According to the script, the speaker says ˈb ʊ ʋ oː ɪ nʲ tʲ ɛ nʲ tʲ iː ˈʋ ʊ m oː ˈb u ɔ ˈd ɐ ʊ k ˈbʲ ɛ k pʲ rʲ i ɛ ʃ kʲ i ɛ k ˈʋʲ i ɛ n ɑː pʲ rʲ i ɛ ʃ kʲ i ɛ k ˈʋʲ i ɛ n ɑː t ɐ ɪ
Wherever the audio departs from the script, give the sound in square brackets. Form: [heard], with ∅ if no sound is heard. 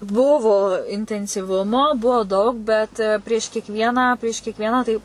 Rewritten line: ˈb ʊ ʋ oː ɪ nʲ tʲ ɛ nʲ [sʲ] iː ˈʋ ʊ m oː ˈb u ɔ ˈd ɐ ʊ k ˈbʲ ɛ [t] pʲ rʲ i ɛ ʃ kʲ i ɛ k ˈʋʲ i ɛ n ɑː pʲ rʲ i ɛ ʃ kʲ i ɛ k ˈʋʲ i ɛ n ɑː t ɐ ɪ